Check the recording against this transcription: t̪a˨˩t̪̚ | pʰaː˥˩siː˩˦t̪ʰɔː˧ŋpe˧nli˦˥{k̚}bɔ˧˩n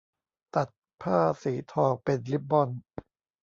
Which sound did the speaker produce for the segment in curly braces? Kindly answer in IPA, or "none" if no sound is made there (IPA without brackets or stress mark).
p̚